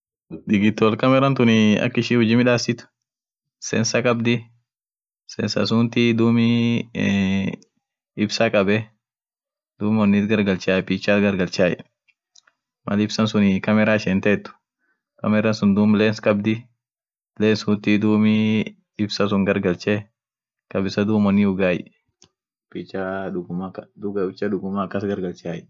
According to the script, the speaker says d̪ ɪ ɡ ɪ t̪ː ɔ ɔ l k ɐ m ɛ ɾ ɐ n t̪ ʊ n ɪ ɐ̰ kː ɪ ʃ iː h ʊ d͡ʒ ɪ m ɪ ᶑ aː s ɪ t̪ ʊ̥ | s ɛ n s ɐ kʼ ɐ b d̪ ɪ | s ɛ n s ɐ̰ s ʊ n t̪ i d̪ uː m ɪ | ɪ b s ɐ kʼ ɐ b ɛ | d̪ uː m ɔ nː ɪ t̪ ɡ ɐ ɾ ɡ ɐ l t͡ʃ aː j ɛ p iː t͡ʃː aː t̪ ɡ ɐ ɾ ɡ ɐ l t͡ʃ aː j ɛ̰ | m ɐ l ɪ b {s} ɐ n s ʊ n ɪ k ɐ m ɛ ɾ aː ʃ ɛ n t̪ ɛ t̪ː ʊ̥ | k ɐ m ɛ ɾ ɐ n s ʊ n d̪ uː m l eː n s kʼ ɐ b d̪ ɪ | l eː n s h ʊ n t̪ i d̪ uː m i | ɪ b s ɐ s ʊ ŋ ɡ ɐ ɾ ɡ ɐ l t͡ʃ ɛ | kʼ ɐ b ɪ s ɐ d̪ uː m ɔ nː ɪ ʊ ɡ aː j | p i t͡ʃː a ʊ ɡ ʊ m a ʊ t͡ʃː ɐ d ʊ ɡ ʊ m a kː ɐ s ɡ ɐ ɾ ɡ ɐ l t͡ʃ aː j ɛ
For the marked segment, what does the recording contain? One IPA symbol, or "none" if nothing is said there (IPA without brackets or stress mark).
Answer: s